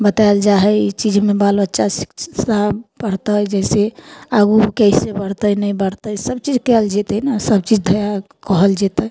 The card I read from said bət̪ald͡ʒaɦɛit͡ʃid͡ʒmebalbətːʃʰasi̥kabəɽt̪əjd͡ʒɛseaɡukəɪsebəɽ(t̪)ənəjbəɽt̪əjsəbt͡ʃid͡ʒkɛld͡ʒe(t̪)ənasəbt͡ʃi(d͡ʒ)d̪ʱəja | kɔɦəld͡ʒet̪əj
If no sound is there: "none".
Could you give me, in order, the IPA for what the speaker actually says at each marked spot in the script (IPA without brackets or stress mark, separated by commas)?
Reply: t̪, t̪, d͡ʒ